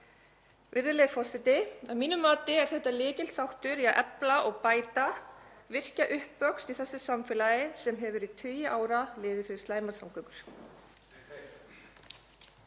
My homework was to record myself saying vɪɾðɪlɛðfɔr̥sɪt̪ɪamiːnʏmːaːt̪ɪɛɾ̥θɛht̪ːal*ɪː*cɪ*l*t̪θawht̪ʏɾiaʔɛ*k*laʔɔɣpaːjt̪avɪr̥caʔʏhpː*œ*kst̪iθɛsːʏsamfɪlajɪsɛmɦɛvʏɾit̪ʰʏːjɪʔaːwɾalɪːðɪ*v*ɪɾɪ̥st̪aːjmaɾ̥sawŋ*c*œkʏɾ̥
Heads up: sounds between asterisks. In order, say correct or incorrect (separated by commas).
correct, correct, incorrect, correct, incorrect, incorrect